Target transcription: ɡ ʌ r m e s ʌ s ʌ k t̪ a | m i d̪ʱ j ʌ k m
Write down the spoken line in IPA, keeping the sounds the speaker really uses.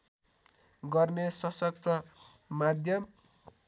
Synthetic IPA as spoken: ɡ ʌ r n e s ʌ s ʌ k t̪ ʌ | m a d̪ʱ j ʌ m